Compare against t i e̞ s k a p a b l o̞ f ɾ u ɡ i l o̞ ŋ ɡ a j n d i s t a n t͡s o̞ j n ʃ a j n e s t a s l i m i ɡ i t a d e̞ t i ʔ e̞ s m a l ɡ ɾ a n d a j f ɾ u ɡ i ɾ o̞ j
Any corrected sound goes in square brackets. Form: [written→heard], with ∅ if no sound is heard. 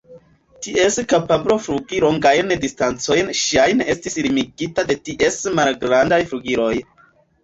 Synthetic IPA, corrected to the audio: t i e̞ s k a p a b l o̞ f ɾ u ɡ i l o̞ ŋ ɡ a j n d i s t a n t͡s o̞ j n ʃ a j n e s t [a→i] s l i m i ɡ i t a d e̞ t i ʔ e̞ s m a l ɡ ɾ a n d a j f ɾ u ɡ i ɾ o̞ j